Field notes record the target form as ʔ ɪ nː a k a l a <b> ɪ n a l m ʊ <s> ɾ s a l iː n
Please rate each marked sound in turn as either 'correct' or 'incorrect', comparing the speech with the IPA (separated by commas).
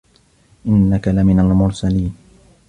incorrect, incorrect